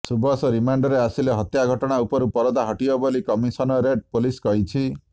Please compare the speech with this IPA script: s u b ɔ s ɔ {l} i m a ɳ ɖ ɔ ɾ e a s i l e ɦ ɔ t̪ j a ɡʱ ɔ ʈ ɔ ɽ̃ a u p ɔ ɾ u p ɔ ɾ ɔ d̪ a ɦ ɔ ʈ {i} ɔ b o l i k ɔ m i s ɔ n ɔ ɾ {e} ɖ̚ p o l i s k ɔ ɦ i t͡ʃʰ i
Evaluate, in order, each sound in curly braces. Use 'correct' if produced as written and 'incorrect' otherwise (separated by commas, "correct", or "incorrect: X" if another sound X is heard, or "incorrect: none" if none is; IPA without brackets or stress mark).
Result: incorrect: ɾ, correct, correct